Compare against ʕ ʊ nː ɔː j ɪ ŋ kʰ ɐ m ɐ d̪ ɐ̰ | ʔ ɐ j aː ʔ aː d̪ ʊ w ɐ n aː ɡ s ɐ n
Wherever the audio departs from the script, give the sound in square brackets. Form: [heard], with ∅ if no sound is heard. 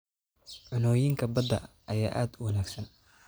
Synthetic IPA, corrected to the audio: ʕ ʊ [n] ɔː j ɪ ŋ kʰ ɐ [b] ɐ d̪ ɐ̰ | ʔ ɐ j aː ʔ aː d̪ ʊ w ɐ n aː ɡ s ɐ n